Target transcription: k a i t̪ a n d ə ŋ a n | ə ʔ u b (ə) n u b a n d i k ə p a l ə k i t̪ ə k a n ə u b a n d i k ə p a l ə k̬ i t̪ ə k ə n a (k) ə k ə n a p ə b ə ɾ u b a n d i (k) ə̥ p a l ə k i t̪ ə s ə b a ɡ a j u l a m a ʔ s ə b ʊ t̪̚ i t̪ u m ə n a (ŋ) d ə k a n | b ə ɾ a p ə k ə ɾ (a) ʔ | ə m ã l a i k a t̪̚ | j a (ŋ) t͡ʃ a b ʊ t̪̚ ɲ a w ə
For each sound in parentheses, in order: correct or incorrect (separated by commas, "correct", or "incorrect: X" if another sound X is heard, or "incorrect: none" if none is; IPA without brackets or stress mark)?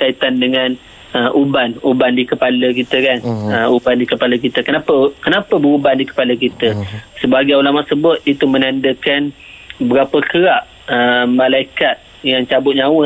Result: incorrect: a, incorrect: p, correct, incorrect: n, correct, correct